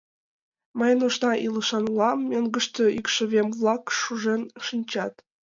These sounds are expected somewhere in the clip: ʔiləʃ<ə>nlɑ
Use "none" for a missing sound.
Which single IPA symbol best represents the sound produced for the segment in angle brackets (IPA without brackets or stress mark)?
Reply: ɑ